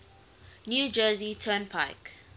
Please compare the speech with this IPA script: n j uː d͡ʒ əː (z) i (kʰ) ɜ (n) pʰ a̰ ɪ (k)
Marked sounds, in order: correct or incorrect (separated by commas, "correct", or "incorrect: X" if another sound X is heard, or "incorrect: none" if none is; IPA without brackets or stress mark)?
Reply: correct, incorrect: tʰ, correct, correct